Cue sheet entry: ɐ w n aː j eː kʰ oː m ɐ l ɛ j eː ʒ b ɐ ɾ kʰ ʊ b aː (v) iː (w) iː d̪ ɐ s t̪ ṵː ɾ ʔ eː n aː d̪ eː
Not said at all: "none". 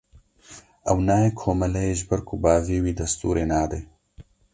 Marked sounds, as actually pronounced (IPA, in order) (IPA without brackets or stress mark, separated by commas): v, w